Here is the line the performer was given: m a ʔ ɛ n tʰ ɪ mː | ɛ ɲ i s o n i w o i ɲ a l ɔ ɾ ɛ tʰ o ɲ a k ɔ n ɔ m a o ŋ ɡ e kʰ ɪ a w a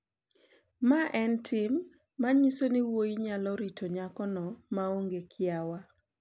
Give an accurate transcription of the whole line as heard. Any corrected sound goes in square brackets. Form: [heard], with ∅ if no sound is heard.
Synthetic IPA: m a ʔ ɛ n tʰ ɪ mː | [a] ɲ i s o n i w o i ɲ a l ɔ ɾ [i] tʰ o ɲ a k ɔ n ɔ m a o ŋ ɡ e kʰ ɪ a w a